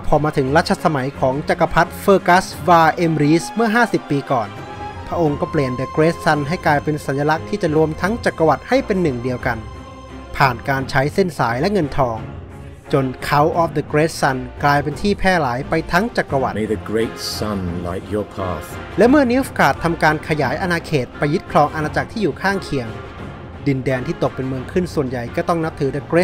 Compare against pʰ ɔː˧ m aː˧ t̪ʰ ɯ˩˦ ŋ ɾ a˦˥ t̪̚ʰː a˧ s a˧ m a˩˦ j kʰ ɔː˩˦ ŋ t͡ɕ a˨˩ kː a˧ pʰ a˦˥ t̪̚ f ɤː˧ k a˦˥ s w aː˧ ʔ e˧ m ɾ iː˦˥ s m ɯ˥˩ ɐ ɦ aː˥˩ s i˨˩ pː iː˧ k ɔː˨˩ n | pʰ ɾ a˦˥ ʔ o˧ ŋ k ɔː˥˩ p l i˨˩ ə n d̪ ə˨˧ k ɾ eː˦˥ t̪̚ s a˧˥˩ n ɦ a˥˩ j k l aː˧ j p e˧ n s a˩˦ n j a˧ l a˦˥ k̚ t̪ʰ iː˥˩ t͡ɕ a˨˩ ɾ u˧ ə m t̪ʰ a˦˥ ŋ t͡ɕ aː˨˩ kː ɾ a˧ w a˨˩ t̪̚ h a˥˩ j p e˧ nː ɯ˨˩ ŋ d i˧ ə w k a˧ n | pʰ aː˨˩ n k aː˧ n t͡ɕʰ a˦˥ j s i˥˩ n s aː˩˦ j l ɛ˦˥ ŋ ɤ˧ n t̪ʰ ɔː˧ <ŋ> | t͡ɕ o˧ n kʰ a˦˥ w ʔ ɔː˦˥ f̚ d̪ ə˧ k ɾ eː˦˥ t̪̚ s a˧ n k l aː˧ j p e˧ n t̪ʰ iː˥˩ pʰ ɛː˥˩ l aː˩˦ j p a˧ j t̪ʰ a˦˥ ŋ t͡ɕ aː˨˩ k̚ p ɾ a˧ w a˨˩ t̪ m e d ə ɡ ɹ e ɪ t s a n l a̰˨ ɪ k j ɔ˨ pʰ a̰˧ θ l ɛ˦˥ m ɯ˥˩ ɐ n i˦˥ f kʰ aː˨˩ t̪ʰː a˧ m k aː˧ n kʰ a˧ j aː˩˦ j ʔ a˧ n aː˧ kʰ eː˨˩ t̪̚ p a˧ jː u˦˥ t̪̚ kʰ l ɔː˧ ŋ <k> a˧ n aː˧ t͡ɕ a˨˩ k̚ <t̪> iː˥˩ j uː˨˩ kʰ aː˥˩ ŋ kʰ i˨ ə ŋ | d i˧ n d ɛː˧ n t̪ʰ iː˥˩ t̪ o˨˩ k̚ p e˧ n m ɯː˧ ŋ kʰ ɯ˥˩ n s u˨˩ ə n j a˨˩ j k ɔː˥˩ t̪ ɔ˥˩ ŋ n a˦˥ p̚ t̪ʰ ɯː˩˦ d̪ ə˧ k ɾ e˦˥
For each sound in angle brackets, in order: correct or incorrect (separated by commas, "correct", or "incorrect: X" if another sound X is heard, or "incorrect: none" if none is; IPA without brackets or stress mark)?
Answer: correct, incorrect: ʔ, incorrect: t̪ʰ